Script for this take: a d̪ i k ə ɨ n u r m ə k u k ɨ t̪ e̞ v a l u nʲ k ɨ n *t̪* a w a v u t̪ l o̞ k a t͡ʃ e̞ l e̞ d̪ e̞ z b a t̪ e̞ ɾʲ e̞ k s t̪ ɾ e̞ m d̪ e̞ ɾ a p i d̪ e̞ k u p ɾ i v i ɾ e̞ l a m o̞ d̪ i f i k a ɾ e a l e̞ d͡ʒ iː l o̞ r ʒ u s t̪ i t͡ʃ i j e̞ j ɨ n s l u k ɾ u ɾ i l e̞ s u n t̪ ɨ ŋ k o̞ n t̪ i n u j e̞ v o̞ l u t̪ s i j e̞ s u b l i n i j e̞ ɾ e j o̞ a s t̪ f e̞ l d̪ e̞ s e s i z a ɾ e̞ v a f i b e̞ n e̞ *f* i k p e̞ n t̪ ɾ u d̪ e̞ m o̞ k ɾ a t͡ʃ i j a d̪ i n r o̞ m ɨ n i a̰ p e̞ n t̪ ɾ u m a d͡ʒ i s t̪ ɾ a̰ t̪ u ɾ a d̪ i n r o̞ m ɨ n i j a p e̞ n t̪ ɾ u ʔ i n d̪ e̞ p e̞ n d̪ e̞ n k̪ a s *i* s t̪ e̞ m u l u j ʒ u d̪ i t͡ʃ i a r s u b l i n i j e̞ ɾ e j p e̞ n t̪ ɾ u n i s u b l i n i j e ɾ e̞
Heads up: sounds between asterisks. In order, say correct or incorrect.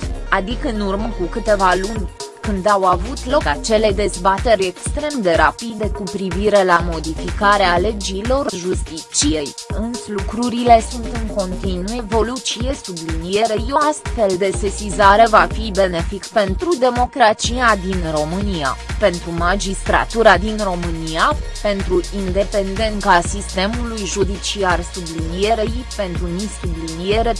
incorrect: d̪, correct, correct

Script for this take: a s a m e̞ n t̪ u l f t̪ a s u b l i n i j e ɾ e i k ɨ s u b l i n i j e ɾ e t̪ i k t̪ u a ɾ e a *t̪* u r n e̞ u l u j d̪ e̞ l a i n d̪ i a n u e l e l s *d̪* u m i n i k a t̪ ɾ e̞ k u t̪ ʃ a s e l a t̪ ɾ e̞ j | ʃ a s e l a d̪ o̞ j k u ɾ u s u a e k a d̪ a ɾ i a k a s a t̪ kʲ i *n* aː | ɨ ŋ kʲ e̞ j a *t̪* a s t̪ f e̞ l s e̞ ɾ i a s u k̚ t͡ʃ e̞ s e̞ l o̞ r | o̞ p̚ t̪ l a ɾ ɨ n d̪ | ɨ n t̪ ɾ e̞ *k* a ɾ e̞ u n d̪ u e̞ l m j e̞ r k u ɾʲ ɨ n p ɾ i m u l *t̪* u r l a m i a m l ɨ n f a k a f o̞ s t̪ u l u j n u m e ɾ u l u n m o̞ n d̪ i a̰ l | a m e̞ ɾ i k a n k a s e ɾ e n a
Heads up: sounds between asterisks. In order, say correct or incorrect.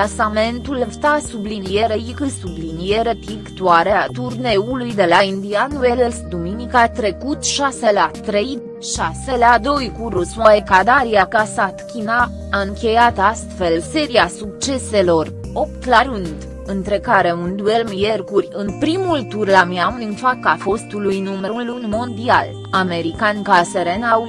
correct, correct, correct, correct, correct, correct

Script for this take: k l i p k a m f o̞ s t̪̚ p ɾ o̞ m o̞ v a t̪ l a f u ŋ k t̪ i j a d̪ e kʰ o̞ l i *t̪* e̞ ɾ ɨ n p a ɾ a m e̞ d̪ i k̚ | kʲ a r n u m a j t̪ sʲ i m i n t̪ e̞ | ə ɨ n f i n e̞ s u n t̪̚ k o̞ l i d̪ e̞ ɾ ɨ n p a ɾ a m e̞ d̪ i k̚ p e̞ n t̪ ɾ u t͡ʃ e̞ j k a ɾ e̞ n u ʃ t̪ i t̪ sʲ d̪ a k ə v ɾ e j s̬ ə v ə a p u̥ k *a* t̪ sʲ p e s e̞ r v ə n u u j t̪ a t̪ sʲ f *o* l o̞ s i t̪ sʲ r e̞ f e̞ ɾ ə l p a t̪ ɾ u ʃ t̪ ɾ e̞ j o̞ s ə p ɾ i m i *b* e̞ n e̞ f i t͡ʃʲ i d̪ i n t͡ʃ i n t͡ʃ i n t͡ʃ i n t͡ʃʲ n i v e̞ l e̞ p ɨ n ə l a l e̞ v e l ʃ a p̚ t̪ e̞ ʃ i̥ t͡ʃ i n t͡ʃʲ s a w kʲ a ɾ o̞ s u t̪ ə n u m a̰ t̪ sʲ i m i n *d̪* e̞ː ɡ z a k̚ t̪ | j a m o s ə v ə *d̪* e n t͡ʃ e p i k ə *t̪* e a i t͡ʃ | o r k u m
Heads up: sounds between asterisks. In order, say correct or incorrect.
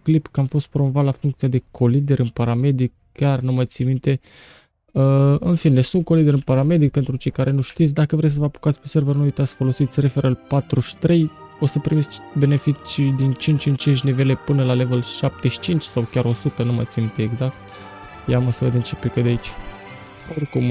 incorrect: d̪, correct, correct, correct, incorrect: t̪, correct, incorrect: d̪

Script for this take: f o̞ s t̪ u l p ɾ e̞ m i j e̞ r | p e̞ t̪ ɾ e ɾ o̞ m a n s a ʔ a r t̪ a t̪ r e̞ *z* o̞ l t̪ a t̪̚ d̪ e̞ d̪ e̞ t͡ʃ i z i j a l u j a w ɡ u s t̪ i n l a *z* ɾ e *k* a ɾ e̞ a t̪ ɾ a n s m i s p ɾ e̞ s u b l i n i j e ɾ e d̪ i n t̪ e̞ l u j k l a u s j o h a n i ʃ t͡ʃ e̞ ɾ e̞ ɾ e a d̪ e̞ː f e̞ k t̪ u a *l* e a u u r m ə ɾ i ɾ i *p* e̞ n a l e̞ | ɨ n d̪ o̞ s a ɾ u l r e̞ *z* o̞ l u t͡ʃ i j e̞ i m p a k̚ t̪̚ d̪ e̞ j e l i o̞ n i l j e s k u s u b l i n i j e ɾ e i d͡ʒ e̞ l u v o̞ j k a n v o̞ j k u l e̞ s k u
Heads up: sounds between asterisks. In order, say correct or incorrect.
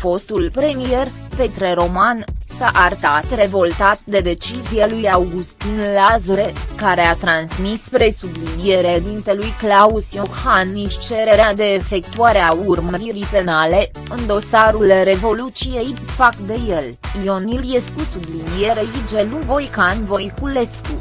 incorrect: v, correct, correct, incorrect: ɾ, correct, incorrect: v

